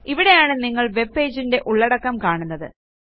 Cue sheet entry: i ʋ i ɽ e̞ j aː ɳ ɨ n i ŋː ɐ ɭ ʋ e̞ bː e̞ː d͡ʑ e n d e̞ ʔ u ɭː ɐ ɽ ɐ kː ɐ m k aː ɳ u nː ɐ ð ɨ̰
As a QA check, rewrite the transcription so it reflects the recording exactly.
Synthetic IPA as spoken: i ʋ i ɽ e̞ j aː ɳ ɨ n i ŋː ɐ ɭ ʋ e̞ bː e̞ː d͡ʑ i n d e̞ ʔ u ɭː ɐ ɽ ɐ kː ɐ m k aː ɳ u nː ɐ ð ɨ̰